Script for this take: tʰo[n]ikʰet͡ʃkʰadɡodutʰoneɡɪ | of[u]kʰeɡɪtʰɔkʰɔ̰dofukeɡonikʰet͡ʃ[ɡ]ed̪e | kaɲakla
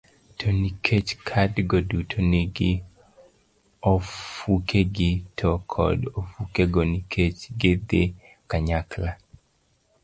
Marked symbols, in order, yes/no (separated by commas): yes, yes, yes